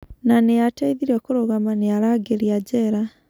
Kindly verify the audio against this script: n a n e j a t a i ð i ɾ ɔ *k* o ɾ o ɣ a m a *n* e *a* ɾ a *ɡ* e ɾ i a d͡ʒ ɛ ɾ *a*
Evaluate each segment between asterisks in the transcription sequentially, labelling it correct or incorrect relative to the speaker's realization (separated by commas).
correct, correct, correct, correct, correct